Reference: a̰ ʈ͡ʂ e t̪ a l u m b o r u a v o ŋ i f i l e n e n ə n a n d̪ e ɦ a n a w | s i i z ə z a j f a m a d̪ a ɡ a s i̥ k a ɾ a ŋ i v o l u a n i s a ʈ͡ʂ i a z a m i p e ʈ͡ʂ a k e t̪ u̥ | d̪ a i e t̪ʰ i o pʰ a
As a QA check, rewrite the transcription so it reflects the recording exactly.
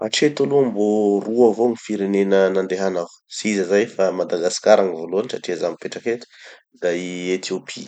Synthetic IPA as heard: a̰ ʈ͡ʂ e t̪ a l u m b o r u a v o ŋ i f i ɾ e n e n ə n a n d̪ e ɦ a n a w | s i i z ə z a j f a m a d̪ a ɡ a s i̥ k a ɾ a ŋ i v o l u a n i s a ʈ͡ʂ i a z a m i p e ʈ͡ʂ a k e t̪ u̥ | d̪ a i e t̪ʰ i o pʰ i